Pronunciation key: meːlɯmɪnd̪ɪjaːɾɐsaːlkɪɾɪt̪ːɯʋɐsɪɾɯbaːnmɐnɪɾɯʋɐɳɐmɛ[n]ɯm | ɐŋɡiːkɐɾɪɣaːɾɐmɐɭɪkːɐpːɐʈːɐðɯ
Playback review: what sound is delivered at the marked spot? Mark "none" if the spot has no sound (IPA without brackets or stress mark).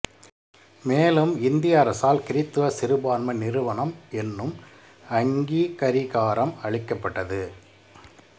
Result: nː